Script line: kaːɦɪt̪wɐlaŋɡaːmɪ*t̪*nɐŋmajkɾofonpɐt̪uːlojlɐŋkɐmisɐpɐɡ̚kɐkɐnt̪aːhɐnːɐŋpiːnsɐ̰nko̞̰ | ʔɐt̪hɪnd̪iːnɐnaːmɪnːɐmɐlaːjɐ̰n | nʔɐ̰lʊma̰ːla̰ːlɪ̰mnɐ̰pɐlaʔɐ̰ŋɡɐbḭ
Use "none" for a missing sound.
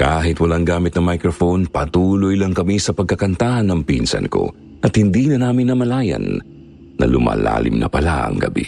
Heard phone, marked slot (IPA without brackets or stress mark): t̪